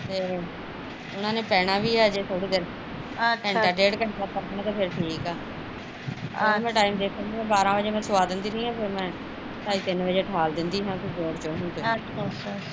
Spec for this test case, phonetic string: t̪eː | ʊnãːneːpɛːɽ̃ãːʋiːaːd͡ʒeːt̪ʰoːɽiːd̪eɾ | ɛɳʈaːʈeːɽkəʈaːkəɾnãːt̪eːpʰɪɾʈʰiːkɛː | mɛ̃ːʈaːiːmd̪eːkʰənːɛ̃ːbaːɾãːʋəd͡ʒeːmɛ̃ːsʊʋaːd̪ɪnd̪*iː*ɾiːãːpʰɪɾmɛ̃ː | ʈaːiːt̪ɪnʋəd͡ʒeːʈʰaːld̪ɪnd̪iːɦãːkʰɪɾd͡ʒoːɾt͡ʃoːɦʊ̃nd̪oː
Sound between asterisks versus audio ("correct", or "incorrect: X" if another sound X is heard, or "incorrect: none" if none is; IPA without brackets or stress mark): correct